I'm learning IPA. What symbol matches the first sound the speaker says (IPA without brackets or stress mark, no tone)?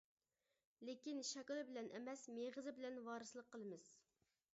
l